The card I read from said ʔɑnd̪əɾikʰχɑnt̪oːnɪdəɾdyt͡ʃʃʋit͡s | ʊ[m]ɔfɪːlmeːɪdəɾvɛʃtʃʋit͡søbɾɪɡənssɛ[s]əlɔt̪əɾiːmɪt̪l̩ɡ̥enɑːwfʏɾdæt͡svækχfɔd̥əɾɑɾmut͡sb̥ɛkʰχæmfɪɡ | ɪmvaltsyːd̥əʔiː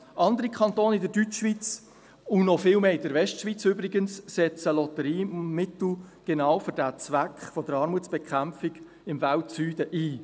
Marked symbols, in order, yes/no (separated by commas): no, no